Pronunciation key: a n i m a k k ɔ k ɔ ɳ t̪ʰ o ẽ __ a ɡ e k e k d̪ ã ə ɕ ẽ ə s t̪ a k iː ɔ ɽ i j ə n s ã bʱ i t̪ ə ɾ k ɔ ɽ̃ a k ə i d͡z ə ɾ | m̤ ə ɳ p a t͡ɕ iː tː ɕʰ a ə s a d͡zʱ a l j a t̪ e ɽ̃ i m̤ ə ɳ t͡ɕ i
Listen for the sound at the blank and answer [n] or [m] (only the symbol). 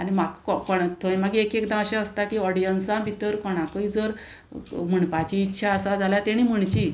m